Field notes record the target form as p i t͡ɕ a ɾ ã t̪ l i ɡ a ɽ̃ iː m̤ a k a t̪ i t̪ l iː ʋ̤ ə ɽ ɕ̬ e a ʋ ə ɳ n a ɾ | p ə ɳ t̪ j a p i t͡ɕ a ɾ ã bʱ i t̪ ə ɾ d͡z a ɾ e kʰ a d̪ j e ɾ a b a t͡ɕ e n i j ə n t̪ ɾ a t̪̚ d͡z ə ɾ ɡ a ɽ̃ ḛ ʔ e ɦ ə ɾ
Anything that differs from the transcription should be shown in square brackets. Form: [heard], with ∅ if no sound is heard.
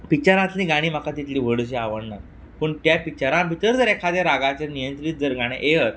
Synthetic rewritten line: p i t͡ɕ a ɾ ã t̪ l i ɡ a ɽ̃ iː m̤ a k a t̪ i t̪ l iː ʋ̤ ə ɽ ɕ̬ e a ʋ ə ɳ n a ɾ | p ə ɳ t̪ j a p i t͡ɕ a ɾ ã bʱ i t̪ ə ɾ d͡z [ə] ɾ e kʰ a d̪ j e ɾ a [ɡ] a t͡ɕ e n i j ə n t̪ ɾ [i] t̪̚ d͡z ə ɾ ɡ a ɽ̃ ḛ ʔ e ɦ ə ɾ